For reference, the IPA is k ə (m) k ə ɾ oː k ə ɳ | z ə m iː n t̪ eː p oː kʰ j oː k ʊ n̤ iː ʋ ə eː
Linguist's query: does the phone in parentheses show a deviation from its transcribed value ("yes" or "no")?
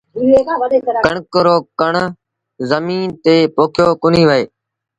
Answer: yes